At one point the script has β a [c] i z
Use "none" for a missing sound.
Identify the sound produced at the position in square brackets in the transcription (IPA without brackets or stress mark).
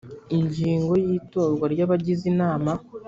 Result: ɟ